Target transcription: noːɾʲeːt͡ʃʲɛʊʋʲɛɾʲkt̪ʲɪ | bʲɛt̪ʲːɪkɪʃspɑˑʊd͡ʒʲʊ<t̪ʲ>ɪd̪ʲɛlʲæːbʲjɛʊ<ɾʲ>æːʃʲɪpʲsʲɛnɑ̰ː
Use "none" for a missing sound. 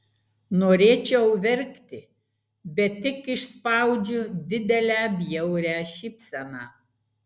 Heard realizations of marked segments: d̪ʲ, ɾʲ

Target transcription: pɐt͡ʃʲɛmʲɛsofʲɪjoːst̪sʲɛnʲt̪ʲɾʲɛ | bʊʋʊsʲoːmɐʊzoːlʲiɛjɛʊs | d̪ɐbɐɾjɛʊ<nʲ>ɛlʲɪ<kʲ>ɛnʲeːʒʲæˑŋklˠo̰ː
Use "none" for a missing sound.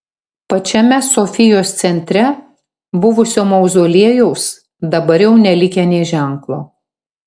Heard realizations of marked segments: nʲ, kʲ

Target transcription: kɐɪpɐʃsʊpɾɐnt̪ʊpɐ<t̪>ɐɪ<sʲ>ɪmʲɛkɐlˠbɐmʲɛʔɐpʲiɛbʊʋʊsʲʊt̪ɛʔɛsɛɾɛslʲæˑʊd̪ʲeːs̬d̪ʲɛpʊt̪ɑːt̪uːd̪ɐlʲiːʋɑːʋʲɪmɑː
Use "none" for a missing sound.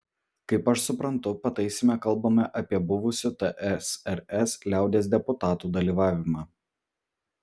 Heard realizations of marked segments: t̪, sʲ

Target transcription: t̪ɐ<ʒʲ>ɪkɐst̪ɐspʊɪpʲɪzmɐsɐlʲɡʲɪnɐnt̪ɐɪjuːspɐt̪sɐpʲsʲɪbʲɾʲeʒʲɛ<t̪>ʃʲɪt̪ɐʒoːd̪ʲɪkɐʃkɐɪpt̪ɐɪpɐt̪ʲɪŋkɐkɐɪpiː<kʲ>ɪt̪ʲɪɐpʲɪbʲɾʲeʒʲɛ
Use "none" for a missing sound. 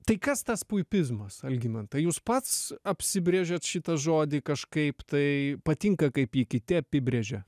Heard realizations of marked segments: none, t̪, kʲ

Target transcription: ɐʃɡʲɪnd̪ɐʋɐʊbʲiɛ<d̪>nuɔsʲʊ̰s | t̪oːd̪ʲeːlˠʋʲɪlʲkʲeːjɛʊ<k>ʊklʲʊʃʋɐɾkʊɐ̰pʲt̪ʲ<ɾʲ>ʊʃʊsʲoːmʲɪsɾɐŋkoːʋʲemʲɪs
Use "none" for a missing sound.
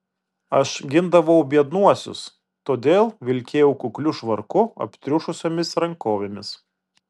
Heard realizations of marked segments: d̪, k, ɾʲ

